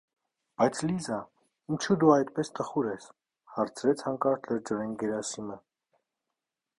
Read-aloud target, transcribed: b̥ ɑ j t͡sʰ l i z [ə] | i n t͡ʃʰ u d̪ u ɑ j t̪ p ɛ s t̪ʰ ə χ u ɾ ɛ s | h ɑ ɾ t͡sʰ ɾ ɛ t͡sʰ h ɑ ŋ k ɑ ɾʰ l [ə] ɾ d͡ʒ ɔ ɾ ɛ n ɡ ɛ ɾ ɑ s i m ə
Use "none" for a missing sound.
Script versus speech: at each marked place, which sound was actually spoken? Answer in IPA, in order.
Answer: ɑ, ə

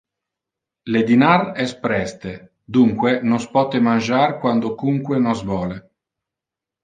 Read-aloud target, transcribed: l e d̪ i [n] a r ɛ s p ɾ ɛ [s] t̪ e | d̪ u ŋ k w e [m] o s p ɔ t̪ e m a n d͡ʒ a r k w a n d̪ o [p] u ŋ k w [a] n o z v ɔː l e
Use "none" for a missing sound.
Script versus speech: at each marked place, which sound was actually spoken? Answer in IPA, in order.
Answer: n, s, n, k, e

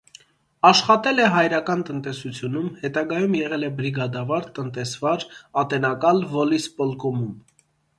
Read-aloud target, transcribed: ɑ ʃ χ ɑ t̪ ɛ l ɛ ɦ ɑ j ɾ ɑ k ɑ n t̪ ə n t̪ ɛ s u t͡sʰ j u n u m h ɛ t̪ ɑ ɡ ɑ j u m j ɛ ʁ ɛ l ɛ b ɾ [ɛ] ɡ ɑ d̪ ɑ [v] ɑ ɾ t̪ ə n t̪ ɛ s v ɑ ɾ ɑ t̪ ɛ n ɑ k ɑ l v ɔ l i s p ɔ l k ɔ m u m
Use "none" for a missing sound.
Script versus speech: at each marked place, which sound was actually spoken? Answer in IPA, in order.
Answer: i, v

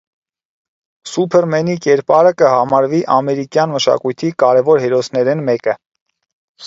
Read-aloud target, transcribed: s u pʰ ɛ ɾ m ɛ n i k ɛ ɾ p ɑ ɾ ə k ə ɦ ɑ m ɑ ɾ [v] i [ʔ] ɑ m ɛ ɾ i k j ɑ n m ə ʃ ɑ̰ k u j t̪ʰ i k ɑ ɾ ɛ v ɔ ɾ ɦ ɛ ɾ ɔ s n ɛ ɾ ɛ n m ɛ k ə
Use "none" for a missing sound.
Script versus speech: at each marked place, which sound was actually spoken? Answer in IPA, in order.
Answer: v, ʔ

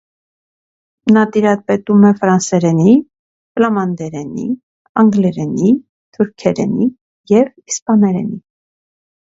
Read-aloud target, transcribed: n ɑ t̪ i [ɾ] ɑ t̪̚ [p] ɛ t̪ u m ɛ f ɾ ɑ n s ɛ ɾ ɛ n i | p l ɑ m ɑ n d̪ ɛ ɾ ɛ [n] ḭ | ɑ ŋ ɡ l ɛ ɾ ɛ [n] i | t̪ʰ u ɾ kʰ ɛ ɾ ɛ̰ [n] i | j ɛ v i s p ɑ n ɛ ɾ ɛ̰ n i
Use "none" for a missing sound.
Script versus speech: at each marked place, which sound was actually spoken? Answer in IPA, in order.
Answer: ɾ, p, n, n, n

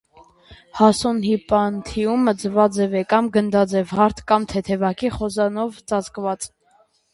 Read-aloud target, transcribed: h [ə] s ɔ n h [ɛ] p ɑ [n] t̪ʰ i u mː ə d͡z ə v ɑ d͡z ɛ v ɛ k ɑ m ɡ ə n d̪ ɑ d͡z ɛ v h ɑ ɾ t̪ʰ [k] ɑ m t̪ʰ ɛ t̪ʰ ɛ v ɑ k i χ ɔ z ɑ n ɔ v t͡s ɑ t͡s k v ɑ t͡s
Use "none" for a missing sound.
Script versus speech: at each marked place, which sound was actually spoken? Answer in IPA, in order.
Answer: ɑ, i, n, k

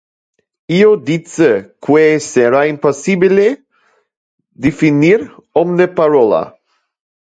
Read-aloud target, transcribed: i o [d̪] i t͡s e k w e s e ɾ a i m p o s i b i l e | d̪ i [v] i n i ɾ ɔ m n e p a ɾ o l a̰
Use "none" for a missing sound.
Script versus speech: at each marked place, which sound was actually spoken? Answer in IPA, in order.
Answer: d̪, f

